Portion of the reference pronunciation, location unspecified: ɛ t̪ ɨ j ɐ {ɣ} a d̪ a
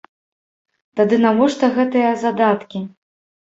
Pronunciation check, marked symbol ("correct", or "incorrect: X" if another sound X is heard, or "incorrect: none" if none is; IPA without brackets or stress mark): incorrect: z